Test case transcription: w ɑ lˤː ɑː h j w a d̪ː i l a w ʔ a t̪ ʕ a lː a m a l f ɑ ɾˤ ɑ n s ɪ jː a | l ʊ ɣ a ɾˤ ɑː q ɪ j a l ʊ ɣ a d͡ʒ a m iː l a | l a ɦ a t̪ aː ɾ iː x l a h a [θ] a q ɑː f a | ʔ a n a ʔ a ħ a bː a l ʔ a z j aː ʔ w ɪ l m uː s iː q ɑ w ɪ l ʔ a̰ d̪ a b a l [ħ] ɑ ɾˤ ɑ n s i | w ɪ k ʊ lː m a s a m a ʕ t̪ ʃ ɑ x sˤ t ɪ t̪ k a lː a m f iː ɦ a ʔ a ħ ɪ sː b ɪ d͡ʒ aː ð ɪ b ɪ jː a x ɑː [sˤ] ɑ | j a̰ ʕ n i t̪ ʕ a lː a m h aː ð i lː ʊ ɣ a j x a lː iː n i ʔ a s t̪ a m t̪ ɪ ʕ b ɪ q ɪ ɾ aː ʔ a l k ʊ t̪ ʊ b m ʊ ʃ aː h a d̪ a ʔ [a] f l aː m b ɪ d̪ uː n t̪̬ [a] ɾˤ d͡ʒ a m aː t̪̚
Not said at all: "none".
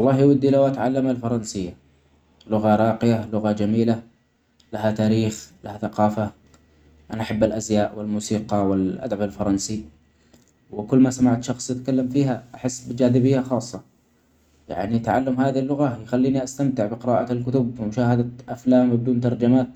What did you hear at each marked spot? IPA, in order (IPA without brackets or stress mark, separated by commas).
θ, f, sˤː, a, ɑ